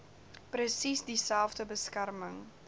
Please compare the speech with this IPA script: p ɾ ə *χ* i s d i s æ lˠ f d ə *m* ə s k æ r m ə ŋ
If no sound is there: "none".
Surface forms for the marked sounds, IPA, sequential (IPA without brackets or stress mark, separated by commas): s, b